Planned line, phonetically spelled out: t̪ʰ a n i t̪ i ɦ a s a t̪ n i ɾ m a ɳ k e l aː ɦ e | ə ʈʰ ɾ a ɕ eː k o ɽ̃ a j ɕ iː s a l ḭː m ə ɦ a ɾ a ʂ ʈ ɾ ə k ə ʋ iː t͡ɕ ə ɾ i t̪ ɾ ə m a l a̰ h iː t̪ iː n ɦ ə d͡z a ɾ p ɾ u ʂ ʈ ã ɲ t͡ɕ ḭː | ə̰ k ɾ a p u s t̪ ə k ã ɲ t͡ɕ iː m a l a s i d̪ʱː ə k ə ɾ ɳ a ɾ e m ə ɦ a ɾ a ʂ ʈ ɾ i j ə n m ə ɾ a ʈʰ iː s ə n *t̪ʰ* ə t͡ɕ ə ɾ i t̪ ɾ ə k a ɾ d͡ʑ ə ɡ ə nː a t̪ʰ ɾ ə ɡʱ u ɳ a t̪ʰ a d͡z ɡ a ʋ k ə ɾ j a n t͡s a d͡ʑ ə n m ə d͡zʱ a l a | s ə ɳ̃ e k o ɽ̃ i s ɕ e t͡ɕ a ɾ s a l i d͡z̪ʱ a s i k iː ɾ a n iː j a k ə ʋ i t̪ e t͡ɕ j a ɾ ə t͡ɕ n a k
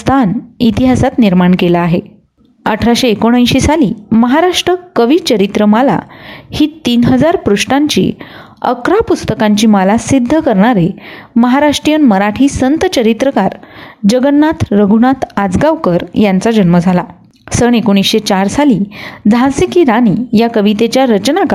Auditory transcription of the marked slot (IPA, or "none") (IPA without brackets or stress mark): t̪